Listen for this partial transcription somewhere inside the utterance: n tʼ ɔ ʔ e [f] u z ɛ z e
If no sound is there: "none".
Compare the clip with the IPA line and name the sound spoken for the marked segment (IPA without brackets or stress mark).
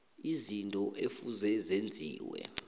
f